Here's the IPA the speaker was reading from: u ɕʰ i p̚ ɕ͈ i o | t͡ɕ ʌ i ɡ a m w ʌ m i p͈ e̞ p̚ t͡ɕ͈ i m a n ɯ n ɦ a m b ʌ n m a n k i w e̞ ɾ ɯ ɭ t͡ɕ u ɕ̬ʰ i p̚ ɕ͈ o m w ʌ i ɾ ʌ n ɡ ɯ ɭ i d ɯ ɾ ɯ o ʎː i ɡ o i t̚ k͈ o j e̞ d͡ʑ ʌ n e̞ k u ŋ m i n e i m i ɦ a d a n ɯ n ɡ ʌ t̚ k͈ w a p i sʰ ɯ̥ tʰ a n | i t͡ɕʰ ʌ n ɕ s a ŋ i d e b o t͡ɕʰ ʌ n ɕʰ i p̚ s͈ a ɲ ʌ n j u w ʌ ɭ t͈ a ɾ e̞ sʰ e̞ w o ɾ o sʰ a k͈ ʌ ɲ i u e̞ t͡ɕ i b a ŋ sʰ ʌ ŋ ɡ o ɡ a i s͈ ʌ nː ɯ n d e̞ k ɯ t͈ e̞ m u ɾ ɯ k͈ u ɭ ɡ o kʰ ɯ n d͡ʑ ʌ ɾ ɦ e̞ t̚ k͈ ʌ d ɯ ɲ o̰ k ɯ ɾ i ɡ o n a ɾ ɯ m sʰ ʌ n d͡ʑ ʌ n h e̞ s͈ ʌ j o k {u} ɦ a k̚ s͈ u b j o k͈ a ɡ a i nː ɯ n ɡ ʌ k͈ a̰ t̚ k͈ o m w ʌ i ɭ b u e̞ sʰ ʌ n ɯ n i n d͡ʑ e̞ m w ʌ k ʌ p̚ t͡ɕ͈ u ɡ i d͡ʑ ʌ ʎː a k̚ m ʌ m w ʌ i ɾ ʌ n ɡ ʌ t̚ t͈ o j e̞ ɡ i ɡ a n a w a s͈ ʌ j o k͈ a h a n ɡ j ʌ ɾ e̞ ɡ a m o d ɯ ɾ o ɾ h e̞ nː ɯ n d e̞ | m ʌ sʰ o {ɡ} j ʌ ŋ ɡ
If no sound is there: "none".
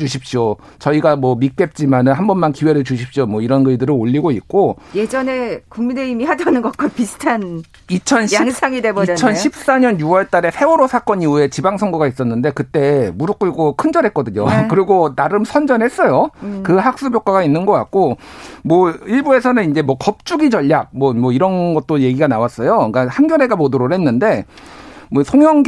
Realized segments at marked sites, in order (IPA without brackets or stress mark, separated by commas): ɯ, ŋ